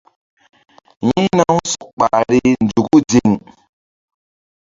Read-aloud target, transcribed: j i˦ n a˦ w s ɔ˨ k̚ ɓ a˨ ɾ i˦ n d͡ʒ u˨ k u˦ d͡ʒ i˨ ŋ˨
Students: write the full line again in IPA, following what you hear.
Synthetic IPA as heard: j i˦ n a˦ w s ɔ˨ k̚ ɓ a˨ ɾ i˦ n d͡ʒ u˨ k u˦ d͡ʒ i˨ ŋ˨

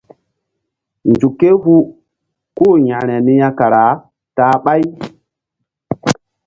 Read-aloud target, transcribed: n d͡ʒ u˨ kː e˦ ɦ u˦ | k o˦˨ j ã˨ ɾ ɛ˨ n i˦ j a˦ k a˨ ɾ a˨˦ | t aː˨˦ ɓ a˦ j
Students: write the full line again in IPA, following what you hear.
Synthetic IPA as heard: n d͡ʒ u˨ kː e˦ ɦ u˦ | k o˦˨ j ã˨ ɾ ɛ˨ n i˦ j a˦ k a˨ ɾ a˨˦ | t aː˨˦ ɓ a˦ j

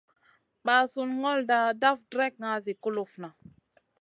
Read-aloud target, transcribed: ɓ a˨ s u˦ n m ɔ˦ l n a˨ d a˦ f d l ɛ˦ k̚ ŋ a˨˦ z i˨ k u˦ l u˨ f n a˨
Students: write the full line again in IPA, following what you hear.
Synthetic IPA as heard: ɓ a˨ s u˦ n ŋ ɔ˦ l d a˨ d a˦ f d ɾ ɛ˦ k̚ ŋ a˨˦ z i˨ k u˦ l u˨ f n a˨

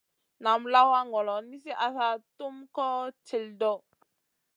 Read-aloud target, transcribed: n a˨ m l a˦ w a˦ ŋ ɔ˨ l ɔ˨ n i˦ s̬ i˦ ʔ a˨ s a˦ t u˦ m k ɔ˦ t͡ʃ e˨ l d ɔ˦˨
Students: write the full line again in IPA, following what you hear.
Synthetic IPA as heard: n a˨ m l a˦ w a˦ ŋ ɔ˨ l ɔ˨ n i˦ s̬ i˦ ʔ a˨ s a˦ t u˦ m k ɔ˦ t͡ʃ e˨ l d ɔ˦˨

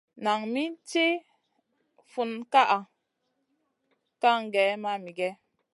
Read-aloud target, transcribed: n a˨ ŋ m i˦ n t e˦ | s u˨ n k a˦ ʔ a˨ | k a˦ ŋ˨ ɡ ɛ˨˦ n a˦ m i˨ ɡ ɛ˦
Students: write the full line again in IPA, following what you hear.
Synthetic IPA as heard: n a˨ ŋ m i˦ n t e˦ | f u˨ n k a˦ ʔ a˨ | k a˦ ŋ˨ ɡ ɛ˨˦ m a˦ m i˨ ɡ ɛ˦

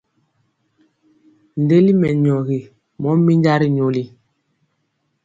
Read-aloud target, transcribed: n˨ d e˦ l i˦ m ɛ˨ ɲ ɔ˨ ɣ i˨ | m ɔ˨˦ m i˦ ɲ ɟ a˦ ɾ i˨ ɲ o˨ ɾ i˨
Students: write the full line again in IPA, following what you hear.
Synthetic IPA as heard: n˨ d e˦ l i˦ m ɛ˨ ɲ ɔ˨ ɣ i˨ | m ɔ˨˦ m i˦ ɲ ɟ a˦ ɾ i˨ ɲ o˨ l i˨

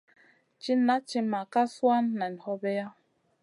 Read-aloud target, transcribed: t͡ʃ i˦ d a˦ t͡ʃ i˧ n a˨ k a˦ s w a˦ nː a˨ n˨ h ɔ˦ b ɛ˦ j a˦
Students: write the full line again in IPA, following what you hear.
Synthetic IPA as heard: t͡ʃ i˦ n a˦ t͡ʃ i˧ m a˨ k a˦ s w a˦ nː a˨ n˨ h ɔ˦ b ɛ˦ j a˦

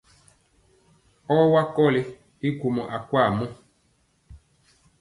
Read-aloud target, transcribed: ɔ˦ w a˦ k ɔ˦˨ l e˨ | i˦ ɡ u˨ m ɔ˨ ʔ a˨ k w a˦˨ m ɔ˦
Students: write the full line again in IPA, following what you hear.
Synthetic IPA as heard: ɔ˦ w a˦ k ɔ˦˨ l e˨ | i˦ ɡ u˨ m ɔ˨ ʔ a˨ k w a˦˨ m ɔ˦

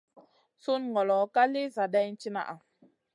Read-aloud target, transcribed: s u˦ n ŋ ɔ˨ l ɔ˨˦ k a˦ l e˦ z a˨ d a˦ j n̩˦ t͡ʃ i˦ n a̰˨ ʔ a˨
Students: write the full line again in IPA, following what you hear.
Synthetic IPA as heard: s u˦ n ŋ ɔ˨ l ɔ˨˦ k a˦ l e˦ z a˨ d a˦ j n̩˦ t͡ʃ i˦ n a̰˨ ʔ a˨

